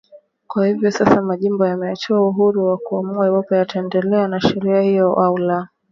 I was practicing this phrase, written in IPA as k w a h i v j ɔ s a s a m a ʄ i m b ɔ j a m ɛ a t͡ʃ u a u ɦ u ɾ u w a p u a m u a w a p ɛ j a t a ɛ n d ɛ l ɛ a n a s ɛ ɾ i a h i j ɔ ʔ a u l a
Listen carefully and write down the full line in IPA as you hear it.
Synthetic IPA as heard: k w a h i v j ɔ s a s a m a ʄ i m b ɔ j a m ɛ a t͡ʃ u a u ɦ u ɾ u w a k u a m u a w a p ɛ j a t a ɛ n d ɛ l ɛ a n a ʃ ɛ ɾ i a h i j ɔ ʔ a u l a